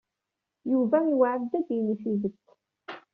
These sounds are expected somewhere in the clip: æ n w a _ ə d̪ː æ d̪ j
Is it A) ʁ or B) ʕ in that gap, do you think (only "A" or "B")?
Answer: B